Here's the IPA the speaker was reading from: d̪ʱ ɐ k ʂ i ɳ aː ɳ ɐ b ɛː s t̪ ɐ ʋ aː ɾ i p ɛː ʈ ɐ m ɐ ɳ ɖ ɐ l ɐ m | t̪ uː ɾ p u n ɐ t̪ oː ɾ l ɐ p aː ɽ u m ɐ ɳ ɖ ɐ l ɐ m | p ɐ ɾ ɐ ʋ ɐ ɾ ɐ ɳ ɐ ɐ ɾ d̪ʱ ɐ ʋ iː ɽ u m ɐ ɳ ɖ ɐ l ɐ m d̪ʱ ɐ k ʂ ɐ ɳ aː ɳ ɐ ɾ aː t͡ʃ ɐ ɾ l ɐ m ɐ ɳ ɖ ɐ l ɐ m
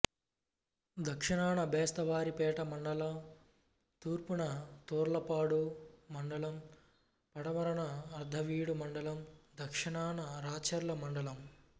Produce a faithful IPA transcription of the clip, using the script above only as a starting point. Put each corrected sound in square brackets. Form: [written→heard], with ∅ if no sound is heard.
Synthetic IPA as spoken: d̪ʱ ɐ k ʂ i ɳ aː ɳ ɐ b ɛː s t̪ ɐ ʋ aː ɾ i p ɛː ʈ ɐ m ɐ ɳ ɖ ɐ l ɐ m | t̪ uː ɾ p u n ɐ t̪ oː ɾ l ɐ p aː ɽ u m ɐ ɳ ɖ ɐ l ɐ m | p ɐ [ɾ→ɽ] ɐ ʋ ɐ ɾ ɐ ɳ ɐ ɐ ɾ d̪ʱ ɐ ʋ iː ɽ u m ɐ ɳ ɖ ɐ l ɐ m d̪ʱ ɐ k ʂ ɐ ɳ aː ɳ ɐ ɾ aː t͡ʃ ɐ ɾ l ɐ m ɐ ɳ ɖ ɐ l ɐ m